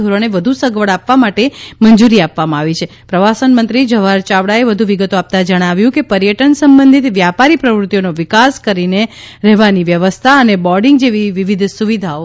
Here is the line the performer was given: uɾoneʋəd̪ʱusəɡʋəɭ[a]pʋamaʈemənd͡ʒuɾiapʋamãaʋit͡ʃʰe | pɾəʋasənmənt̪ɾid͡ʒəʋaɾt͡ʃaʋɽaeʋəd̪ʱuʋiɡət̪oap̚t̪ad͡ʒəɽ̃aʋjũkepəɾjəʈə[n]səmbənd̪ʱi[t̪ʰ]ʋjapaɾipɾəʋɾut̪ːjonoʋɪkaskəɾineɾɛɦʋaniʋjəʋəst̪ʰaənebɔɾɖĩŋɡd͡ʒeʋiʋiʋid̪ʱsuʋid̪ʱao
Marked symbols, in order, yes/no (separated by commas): yes, yes, no